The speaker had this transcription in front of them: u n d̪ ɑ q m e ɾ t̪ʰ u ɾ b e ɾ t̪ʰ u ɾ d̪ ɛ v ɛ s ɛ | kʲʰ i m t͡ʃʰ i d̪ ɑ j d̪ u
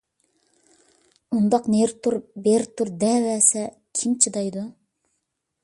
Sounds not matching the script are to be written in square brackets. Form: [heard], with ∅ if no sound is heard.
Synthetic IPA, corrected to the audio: u n d̪ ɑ q [n] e ɾ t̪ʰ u ɾ b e ɾ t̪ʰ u ɾ d̪ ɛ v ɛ s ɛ | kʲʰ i m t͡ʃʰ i d̪ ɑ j d̪ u